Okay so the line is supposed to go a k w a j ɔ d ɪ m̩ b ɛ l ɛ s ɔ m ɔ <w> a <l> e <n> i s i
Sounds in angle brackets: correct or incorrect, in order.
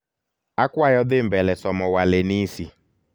correct, correct, correct

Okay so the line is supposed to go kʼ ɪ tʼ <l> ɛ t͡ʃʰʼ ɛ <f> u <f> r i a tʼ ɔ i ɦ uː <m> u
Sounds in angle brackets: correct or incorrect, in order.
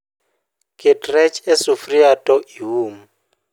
incorrect: r, incorrect: s, correct, correct

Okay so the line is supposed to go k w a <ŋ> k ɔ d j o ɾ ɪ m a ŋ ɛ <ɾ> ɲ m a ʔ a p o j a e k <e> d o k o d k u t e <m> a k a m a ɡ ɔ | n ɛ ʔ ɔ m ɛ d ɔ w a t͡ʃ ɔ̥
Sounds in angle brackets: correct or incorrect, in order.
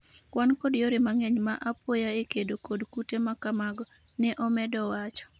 incorrect: n, incorrect: none, correct, correct

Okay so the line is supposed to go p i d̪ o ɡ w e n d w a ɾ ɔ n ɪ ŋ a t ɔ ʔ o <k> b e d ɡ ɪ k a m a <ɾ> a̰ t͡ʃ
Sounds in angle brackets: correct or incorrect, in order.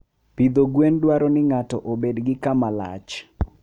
incorrect: none, incorrect: l

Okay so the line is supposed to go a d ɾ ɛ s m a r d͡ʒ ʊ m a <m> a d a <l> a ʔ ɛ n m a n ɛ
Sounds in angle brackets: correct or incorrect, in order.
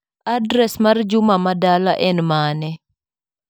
correct, correct

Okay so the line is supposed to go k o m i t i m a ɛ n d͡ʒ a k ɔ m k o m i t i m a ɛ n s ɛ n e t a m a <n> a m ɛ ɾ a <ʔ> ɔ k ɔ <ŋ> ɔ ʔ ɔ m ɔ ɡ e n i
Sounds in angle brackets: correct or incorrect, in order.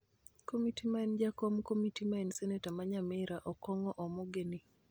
incorrect: ɲ, correct, correct

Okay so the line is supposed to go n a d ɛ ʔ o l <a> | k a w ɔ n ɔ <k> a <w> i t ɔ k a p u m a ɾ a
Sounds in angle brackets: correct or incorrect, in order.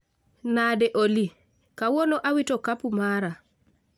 incorrect: i, incorrect: ʔ, correct

